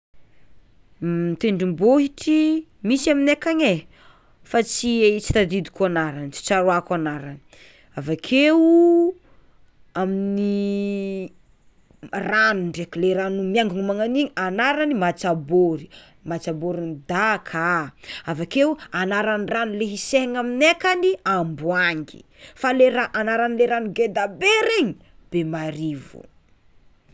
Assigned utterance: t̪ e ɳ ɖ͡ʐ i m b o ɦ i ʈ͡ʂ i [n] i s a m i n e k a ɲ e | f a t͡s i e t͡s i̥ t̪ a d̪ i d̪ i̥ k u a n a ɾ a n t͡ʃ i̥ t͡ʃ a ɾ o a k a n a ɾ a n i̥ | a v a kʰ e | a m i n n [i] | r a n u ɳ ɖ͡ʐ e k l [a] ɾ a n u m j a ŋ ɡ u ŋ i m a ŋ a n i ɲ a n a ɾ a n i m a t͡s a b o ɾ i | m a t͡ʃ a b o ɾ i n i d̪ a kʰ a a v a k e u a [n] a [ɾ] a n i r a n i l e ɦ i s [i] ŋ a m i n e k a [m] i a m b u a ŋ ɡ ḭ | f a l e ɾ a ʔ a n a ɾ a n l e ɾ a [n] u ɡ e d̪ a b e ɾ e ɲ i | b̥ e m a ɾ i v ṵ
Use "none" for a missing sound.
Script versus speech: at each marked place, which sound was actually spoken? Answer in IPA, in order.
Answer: m, i, e, n, ɾ, e, n, n

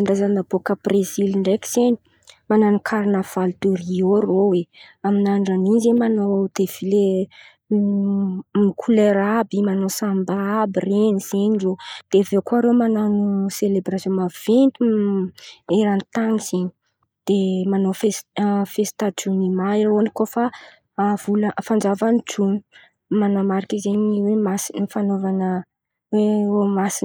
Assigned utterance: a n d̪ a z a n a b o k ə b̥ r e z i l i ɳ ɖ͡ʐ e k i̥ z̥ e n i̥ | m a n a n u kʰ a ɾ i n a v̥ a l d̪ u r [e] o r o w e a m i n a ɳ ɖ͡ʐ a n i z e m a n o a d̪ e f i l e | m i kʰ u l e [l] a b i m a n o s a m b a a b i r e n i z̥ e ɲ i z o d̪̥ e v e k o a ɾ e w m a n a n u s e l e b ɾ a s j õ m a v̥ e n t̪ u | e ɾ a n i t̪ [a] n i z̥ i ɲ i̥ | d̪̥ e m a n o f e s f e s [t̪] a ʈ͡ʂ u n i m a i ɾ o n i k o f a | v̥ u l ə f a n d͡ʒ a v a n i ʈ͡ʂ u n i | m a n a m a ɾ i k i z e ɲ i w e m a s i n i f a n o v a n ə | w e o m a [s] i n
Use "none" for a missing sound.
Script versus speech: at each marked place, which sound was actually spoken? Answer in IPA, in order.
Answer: i, ɾ, a, t̪, s

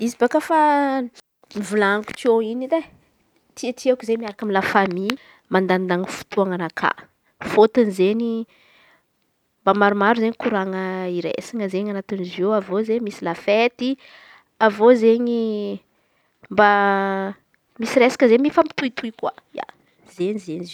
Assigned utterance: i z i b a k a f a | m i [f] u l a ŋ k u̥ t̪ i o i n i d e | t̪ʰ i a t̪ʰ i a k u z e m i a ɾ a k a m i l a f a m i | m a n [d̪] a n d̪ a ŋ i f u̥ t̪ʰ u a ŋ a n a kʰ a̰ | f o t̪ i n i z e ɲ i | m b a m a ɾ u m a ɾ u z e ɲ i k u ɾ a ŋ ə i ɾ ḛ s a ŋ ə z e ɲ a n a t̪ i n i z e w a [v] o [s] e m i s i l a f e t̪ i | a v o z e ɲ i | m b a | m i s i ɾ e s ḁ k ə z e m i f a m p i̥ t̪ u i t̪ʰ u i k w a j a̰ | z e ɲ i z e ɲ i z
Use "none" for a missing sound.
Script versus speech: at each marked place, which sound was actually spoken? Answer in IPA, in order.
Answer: v, d̪, v, z

